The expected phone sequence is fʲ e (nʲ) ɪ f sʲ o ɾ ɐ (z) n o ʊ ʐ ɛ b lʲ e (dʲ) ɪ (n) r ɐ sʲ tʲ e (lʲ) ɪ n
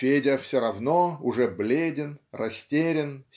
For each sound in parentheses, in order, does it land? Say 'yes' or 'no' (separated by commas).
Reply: no, no, yes, yes, no